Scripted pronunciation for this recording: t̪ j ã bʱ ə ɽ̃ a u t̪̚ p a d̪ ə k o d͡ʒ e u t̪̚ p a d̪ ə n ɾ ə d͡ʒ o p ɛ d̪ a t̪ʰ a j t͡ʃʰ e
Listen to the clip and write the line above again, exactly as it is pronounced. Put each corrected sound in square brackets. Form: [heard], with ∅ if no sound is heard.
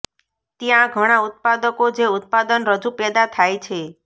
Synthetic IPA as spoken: t̪ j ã [ɡʱ] ə ɽ̃ a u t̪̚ p a d̪ ə k o d͡ʒ e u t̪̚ p a d̪ ə n ɾ ə d͡ʒ [u] p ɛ d̪ a t̪ʰ a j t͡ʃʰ e